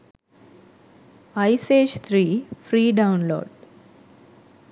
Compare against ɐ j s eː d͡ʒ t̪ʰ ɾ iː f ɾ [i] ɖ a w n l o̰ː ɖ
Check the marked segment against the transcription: incorrect: iː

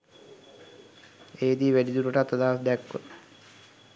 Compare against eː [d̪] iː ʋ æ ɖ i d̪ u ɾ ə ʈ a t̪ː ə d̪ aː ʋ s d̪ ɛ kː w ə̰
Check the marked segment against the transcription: correct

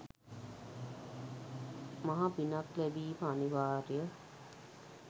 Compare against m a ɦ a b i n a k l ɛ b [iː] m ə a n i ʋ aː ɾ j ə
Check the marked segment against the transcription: correct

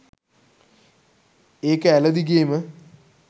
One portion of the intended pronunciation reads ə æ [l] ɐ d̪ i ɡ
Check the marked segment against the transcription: correct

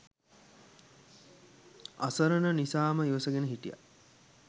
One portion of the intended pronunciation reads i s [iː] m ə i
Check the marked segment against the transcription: incorrect: aː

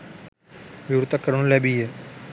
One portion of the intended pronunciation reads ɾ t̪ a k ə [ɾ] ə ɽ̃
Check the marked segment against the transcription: correct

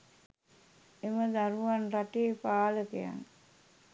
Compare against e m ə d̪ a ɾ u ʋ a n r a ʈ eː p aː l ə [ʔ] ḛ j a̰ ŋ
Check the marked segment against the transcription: incorrect: k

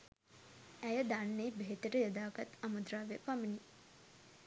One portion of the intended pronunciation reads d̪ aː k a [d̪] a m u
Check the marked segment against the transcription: incorrect: t̪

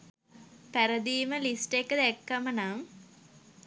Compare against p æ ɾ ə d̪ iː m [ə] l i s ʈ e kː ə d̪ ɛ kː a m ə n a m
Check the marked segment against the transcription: correct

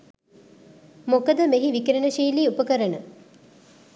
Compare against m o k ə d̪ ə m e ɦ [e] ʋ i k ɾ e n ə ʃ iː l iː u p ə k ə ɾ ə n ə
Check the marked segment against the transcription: incorrect: i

